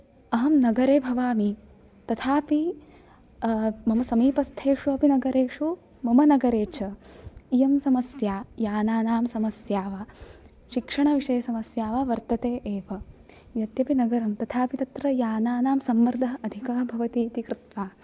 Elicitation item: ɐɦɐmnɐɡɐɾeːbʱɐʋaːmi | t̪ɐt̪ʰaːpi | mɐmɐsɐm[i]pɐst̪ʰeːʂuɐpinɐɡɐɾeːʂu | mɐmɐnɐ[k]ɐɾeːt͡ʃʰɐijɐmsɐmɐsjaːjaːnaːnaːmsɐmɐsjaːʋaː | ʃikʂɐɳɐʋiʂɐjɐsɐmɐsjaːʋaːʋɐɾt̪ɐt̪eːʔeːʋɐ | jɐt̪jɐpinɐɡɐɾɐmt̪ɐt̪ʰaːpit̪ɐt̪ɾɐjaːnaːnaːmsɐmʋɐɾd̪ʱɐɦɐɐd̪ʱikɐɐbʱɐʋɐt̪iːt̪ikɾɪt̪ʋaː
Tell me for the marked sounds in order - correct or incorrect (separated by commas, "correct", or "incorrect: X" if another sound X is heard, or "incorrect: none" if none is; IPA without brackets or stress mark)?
incorrect: iː, incorrect: ɡ